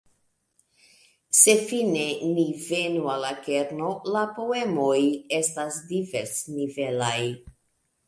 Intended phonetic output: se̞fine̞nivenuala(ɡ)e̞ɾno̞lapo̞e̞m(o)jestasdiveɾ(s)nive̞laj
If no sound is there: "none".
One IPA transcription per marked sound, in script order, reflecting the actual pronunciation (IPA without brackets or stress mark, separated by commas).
k, o, s